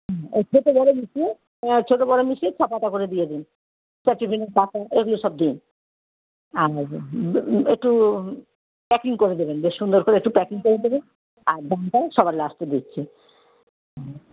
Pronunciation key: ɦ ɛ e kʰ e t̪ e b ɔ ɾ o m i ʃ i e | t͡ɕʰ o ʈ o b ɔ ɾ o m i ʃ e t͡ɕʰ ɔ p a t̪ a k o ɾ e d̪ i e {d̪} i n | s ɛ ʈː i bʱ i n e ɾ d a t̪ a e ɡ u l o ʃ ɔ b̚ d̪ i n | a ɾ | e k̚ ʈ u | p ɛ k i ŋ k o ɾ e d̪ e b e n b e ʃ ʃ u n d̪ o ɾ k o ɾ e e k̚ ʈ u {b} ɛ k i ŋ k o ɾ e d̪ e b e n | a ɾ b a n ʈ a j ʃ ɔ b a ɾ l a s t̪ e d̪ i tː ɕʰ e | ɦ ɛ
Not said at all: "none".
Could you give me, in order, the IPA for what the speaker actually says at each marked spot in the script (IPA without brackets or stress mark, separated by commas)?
d̪, p